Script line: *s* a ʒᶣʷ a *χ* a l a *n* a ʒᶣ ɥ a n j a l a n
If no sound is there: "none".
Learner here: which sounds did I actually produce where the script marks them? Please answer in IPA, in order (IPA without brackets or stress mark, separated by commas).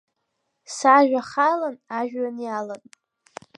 s, χ, n